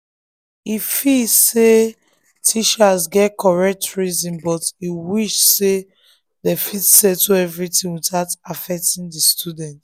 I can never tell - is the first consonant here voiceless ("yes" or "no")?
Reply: yes